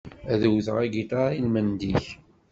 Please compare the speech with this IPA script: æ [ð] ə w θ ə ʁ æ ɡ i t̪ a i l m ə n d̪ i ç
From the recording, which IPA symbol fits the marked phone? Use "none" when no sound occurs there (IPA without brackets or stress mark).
ð